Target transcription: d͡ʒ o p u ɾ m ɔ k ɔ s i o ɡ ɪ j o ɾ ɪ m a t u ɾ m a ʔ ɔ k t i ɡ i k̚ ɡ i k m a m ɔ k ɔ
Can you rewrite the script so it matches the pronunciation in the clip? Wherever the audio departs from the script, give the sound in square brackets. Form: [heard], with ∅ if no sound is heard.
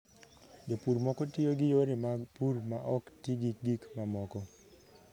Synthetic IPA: d͡ʒ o p u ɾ m ɔ k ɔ [t] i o ɡ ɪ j o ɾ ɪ m a [p] u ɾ m a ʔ ɔ k t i ɡ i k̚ ɡ i k m a m ɔ k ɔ